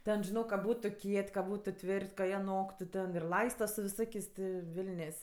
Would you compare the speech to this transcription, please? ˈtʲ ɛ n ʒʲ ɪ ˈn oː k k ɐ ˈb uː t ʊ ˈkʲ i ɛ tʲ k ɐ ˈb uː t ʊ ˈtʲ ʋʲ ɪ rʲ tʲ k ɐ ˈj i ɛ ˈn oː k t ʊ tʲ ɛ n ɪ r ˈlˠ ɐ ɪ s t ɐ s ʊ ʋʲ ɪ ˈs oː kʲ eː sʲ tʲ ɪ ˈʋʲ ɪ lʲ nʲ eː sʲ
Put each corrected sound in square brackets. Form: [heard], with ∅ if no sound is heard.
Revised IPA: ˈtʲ ɛ n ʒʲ ɪ ˈn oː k k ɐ ˈb uː t ʊ ˈkʲ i ɛ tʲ k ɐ ˈb uː t ʊ ˈtʲ ʋʲ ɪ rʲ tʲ k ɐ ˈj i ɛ ˈn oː k t ʊ tʲ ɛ n ɪ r ˈlˠ ɐ ɪ s t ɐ s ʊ ʋʲ ɪ ˈs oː kʲ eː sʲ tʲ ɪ ˈʋʲ ɪ lʲ nʲ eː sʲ